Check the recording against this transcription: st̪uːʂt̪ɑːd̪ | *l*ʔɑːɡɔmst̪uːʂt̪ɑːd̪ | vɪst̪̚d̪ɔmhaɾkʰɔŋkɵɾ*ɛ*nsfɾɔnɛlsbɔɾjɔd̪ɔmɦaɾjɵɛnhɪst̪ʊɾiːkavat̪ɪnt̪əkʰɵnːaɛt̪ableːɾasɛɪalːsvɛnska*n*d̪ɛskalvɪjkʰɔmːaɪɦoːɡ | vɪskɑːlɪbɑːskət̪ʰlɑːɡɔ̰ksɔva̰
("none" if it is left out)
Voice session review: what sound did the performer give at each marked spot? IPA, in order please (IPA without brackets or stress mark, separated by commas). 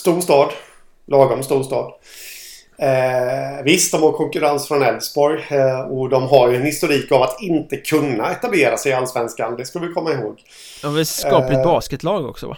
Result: l, a, n